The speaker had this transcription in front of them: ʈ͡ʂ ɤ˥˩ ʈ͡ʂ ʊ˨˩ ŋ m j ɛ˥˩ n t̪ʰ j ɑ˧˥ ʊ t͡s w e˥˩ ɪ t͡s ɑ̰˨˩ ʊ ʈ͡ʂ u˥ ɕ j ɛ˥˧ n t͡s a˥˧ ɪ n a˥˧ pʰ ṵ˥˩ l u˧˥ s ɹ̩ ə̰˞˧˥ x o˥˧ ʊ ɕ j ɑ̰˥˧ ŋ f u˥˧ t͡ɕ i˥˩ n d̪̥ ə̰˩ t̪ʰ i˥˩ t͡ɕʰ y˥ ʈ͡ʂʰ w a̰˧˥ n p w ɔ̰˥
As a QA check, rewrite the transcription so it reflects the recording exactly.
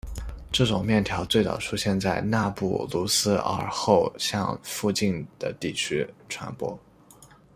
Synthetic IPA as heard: ʈ͡ʂ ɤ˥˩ ʈ͡ʂ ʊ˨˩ ŋ m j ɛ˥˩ n t̪ʰ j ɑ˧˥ ʊ t͡s w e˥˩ ɪ t͡s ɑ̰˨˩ ʊ ʈ͡ʂʰ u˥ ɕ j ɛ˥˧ n t͡s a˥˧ ɪ n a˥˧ p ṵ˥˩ l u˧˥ s ɹ̩ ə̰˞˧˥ x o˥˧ ʊ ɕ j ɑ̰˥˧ ŋ f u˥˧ t͡ɕ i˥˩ n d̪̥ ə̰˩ t̪ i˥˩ t͡ɕʰ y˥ ʈ͡ʂʰ w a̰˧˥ n p w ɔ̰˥

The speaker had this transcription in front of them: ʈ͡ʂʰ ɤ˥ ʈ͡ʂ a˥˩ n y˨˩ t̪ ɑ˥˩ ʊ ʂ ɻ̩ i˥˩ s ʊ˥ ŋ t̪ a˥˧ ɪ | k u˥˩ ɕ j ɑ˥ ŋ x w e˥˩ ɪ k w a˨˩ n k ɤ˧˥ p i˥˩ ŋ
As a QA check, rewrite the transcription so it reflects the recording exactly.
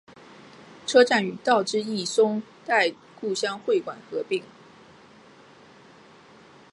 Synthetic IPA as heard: ʈ͡ʂʰ ɤ˥ ʈ͡ʂ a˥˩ n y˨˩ t̪ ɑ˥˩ ʊ ʈ͡ʂ ɻ̩ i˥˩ s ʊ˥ ŋ t̪ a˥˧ ɪ | k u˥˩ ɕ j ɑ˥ ŋ x w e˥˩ ɪ k w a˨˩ n x ɤ˧˥ p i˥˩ ŋ

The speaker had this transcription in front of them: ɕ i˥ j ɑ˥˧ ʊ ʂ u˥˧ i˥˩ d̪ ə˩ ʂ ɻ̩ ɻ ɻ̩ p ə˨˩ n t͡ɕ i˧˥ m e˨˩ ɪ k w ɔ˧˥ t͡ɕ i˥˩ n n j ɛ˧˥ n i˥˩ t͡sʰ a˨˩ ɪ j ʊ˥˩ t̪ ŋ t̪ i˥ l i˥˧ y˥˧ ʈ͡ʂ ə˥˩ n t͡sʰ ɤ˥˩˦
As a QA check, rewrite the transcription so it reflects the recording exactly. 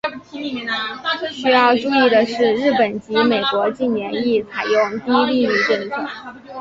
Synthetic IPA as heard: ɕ y˥ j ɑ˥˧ ʊ ʈ͡ʂ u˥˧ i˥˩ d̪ ə˩ ʂ ɻ̩ ɻ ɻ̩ p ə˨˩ n t͡ɕ i˧˥ m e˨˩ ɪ k w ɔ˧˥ t͡ɕ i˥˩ n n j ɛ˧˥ n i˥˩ t͡sʰ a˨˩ ɪ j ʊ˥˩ ŋ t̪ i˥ l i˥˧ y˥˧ ʈ͡ʂ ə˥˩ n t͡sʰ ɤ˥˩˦

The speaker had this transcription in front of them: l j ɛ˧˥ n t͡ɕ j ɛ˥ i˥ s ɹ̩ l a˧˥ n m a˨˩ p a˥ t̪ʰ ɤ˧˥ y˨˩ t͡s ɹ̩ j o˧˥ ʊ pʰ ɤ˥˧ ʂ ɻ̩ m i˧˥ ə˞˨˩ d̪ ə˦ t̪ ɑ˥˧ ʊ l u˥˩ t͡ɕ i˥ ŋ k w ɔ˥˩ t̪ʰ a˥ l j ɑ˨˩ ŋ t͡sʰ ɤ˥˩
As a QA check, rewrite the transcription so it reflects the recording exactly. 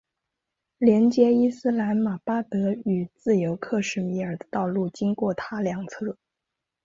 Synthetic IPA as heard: l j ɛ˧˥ n t͡ɕ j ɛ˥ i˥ s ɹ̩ l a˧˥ n m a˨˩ p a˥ t̪ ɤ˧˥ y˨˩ t͡s ɹ̩ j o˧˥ ʊ kʰ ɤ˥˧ ʂ ɻ̩ m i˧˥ ə˞˨˩ d̪ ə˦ t̪ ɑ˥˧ ʊ l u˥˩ t͡ɕ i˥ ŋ k w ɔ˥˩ t̪ʰ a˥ l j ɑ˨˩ ŋ t͡sʰ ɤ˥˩

